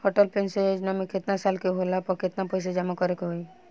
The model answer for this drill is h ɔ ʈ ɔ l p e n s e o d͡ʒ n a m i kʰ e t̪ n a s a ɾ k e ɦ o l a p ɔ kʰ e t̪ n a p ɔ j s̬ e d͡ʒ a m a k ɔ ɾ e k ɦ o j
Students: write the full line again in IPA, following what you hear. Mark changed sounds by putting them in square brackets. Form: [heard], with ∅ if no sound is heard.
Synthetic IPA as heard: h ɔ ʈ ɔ l p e n s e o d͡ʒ n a m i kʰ e t̪ n a s a [l] k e ɦ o l a p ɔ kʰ e t̪ n a p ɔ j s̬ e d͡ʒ a m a k ɔ ɾ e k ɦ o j